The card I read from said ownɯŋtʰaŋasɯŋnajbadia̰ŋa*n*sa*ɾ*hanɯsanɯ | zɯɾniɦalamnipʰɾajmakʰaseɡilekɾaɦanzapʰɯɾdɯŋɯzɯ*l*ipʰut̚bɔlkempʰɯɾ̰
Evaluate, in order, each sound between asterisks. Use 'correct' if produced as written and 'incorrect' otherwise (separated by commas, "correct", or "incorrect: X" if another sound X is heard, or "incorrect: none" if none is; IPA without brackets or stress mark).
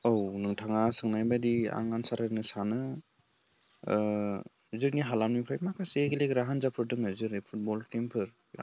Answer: correct, correct, incorrect: ɾ